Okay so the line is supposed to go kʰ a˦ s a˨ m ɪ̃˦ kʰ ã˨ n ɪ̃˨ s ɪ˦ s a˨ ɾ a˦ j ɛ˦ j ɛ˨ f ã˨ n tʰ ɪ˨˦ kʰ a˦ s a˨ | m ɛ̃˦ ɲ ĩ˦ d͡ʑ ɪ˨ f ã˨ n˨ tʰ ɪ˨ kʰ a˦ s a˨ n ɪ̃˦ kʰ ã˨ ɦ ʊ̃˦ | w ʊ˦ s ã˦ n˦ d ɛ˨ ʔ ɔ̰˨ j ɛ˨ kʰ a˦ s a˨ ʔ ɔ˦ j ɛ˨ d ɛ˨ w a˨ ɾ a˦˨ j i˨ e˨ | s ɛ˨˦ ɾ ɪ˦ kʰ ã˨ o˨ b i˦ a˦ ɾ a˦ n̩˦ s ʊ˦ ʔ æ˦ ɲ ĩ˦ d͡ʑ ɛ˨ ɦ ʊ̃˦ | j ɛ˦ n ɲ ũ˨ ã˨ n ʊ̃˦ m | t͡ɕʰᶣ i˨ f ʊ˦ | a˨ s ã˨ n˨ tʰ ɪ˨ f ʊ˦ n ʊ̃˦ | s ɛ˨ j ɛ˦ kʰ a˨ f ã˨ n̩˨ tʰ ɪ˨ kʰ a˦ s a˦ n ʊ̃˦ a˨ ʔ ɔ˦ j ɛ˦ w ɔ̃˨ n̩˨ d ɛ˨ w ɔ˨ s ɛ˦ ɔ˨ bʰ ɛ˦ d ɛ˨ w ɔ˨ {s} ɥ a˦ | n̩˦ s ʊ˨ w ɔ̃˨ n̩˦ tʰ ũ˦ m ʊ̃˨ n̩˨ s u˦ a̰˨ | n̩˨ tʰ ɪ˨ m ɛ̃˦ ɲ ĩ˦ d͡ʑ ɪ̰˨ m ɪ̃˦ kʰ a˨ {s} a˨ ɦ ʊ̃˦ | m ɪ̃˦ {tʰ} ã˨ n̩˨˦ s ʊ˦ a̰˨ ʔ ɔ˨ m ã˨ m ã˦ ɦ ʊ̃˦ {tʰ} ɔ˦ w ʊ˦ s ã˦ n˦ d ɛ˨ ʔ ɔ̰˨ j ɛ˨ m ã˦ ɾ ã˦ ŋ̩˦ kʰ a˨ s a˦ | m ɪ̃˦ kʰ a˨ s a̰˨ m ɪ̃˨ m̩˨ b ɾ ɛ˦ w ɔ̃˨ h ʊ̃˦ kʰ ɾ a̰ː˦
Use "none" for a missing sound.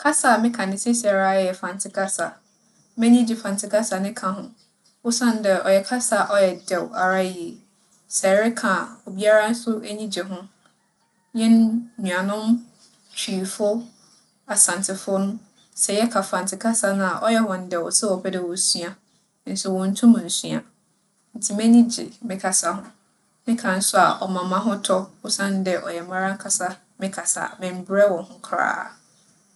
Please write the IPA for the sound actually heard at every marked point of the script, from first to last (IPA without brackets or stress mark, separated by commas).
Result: s, s, kʰ, tʰ